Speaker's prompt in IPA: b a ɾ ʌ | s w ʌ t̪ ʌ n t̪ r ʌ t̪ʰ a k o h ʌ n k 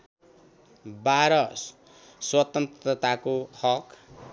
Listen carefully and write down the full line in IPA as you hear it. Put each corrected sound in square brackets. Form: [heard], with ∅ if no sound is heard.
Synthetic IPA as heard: b a ɾ ʌ | s w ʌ t̪ ʌ n t̪ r ʌ [t̪] a k o h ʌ [∅] k